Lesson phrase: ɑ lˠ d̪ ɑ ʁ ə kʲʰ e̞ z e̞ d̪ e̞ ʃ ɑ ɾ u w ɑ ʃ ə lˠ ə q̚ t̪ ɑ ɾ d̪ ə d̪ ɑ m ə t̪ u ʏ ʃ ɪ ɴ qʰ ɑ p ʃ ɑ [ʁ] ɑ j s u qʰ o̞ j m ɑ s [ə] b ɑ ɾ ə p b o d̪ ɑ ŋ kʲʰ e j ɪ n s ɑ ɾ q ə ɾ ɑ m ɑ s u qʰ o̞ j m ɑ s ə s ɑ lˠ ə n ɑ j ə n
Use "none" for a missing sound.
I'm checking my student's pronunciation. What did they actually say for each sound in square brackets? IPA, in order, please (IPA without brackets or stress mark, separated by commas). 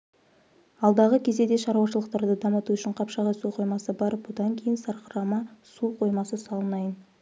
ʁ, ə